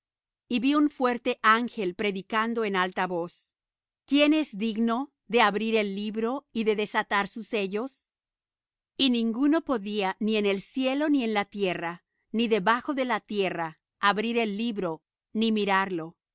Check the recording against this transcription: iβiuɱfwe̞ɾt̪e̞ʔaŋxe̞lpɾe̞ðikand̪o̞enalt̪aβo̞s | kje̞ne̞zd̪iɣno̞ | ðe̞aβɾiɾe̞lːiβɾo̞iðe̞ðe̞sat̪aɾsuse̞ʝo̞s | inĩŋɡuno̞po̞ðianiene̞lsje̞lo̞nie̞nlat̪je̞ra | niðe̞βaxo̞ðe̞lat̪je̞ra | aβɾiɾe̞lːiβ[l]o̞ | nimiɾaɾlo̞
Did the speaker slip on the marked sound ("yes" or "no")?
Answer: yes